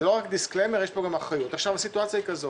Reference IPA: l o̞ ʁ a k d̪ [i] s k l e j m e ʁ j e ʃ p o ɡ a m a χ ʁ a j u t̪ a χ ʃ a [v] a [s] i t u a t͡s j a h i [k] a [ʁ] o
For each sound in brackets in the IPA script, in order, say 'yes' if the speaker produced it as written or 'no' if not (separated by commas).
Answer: yes, yes, yes, yes, no